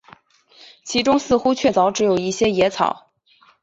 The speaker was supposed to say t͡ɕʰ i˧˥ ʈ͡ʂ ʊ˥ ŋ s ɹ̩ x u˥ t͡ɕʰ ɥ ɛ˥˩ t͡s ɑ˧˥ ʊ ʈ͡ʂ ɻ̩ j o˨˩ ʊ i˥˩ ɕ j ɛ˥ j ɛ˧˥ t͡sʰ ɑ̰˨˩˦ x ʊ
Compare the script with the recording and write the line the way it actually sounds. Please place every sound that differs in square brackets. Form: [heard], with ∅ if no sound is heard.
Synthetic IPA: t͡ɕʰ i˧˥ ʈ͡ʂ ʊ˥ ŋ s ɹ̩ x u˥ t͡ɕʰ ɥ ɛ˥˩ t͡s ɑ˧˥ ʊ ʈ͡ʂ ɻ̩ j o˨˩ ʊ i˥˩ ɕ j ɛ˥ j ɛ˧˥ t͡sʰ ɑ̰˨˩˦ [∅] ʊ